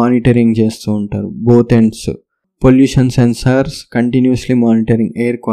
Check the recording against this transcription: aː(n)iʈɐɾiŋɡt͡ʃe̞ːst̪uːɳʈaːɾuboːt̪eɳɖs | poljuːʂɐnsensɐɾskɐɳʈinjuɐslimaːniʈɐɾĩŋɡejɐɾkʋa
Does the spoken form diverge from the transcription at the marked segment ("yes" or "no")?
no